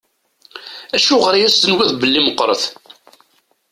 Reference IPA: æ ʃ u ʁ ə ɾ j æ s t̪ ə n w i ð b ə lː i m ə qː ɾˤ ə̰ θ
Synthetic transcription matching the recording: æ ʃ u ʁ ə ɾ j æ s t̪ ə n w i ð b ə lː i m ə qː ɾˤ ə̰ θ